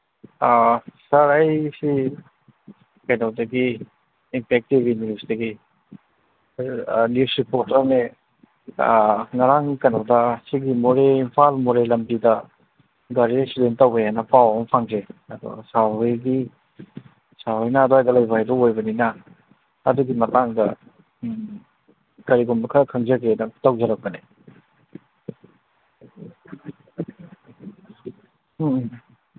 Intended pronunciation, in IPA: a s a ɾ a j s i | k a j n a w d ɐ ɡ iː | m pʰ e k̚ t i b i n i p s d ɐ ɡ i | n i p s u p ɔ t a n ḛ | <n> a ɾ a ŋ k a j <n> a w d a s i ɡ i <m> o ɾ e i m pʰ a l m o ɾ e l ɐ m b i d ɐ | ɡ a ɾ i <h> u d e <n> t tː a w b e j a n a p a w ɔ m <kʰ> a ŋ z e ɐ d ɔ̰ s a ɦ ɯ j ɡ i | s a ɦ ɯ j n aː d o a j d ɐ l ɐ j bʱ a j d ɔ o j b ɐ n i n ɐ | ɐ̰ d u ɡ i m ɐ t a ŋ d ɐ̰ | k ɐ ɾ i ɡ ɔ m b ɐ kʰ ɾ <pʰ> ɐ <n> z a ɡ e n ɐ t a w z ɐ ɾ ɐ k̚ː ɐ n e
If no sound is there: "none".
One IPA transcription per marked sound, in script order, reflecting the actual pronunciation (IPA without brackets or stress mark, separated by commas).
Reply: ŋ, n, m, s, n, pʰ, kʰ, ŋ